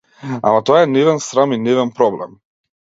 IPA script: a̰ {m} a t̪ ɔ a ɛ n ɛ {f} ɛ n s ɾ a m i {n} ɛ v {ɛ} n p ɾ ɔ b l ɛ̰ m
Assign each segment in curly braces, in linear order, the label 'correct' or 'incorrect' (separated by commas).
correct, incorrect, correct, correct